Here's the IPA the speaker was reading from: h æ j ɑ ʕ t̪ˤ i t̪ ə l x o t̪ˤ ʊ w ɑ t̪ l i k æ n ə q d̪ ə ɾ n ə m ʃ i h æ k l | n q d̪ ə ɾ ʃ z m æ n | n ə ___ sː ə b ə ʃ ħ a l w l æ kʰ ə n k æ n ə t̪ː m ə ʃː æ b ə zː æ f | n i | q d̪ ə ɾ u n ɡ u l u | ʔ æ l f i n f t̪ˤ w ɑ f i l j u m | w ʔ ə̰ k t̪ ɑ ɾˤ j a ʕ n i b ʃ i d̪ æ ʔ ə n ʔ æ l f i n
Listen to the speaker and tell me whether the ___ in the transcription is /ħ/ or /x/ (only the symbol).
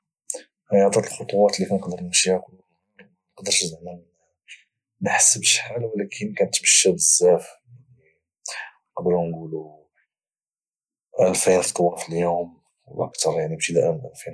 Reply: ħ